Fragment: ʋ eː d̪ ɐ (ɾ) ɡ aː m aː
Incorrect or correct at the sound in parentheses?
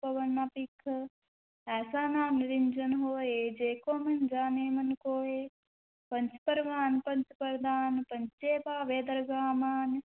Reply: correct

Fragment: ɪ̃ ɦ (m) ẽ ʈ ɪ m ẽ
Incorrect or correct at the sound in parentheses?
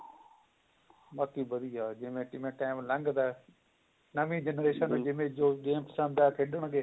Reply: correct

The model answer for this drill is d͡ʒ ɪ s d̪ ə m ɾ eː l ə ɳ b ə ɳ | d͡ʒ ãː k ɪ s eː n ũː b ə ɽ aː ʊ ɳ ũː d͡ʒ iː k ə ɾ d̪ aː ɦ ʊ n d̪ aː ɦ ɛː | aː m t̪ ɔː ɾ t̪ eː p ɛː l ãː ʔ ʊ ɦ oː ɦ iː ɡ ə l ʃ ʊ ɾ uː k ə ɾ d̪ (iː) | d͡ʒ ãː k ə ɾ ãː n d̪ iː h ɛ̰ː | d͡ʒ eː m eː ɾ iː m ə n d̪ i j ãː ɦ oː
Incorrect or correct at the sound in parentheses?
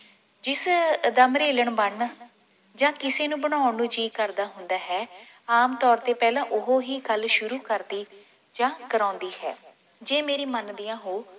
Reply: correct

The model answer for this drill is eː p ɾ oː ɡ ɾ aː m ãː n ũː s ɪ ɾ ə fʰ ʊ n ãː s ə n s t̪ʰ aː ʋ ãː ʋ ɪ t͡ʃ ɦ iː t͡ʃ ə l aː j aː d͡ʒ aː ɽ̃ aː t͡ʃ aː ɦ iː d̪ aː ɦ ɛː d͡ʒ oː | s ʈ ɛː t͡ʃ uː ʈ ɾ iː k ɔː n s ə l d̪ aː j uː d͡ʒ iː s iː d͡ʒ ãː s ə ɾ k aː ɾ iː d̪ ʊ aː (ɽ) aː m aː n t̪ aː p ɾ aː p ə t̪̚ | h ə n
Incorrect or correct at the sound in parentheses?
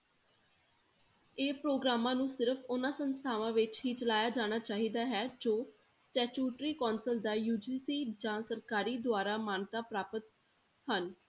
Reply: incorrect: ɾ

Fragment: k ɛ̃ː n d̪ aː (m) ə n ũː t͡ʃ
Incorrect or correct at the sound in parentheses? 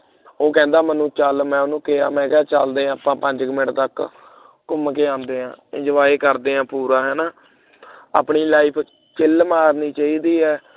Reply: correct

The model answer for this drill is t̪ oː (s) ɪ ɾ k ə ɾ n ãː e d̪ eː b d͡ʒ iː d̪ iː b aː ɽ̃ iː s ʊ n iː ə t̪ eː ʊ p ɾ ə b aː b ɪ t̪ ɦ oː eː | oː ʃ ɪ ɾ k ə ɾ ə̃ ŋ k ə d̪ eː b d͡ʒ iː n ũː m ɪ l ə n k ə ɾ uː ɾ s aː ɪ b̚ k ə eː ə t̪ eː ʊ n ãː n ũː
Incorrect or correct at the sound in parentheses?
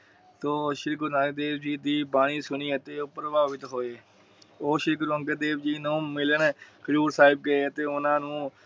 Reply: incorrect: ʃ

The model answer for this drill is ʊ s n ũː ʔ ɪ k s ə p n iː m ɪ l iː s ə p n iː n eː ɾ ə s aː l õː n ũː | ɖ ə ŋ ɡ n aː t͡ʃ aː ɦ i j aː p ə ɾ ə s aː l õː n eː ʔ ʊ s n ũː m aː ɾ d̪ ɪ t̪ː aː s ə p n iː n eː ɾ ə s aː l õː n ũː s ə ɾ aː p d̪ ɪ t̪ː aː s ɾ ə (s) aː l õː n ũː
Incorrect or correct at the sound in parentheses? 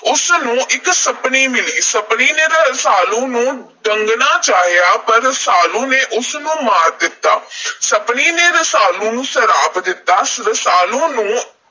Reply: correct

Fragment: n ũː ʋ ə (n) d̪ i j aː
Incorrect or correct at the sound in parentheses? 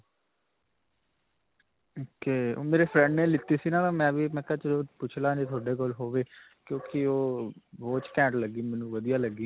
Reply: incorrect: none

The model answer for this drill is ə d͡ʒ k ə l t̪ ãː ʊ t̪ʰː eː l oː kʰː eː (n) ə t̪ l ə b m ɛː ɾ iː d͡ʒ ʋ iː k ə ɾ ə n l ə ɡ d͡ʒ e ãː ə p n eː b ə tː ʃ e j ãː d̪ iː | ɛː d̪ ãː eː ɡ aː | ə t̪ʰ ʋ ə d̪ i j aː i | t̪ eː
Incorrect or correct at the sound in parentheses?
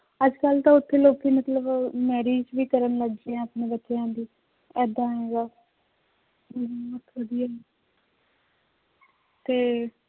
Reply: incorrect: m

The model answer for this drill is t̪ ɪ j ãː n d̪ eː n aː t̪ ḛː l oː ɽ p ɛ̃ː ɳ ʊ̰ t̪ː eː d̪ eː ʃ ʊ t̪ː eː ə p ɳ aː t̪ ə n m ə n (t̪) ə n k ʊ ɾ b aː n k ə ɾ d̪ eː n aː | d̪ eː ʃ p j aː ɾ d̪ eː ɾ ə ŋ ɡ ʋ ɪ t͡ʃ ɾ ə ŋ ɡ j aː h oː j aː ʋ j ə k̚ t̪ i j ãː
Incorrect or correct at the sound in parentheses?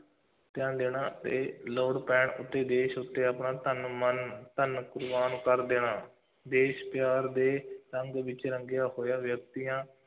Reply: correct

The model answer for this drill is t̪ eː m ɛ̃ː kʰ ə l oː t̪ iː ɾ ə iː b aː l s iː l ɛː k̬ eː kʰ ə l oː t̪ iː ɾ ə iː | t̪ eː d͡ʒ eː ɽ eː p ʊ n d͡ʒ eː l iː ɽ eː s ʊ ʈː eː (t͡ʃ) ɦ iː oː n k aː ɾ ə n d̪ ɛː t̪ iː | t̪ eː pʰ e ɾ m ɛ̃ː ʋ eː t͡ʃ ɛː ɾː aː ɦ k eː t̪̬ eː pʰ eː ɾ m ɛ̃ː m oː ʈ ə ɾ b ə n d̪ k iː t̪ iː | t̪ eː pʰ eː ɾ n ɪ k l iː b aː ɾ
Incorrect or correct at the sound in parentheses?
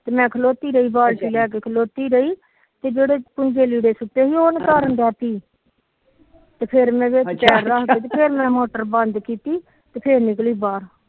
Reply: incorrect: none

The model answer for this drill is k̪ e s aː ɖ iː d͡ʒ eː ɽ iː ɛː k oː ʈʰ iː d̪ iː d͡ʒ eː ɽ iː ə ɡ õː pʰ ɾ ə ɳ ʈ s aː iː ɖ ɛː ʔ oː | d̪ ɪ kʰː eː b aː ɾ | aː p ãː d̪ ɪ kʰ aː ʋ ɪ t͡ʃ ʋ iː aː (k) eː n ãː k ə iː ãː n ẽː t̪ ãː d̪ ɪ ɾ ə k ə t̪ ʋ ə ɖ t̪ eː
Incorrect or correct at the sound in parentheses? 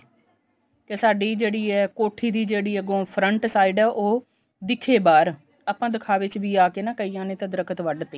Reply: correct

